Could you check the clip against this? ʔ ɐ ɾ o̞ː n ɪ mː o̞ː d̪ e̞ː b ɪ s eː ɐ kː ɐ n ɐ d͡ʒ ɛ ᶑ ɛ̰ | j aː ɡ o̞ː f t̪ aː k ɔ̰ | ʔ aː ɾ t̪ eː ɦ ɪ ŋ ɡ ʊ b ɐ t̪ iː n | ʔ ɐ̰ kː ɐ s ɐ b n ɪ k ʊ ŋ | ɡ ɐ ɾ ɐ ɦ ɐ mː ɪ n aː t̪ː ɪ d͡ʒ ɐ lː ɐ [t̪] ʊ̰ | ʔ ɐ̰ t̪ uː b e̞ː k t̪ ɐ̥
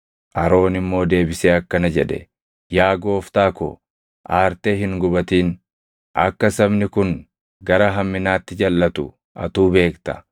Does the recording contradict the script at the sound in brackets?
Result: no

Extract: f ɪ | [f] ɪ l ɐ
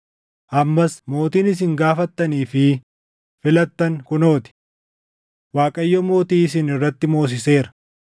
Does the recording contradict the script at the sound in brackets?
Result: no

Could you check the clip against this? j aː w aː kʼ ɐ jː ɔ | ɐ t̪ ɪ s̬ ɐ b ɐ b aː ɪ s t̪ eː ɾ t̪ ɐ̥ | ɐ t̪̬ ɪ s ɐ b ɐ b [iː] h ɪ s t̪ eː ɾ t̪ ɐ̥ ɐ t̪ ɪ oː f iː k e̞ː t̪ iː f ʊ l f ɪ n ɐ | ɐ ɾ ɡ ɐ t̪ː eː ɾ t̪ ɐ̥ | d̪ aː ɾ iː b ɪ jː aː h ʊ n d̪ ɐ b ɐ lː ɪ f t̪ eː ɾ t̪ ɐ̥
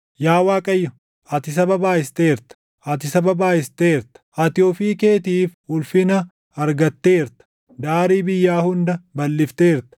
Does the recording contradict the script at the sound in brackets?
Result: yes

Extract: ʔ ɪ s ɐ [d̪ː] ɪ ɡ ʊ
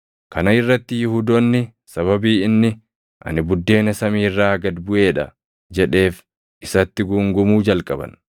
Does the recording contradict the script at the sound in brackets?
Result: yes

